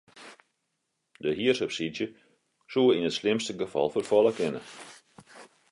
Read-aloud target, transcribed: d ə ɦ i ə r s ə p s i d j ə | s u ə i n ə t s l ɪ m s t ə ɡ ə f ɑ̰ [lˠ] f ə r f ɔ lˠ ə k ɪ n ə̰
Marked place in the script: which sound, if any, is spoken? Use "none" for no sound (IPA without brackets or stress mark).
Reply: lˠ